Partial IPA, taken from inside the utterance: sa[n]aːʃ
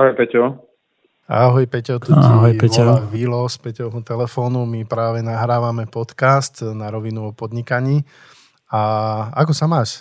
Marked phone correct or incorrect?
incorrect